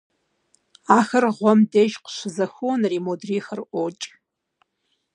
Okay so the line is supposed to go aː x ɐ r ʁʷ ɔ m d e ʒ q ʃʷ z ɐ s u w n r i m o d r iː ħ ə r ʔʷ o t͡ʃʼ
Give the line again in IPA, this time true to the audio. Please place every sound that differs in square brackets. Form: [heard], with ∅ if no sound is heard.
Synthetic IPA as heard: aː x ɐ r ʁʷ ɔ m d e ʒ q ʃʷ z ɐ [x] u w n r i m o d r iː [x] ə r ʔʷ o t͡ʃʼ